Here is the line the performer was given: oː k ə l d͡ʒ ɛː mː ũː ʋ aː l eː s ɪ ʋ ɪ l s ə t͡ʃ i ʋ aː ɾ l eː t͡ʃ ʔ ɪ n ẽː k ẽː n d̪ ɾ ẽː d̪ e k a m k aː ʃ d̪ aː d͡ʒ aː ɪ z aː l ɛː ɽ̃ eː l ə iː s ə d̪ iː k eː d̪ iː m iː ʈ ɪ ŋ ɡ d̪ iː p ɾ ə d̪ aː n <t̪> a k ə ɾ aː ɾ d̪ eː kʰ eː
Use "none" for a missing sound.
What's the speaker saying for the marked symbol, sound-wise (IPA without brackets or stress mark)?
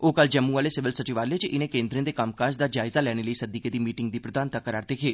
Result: t̪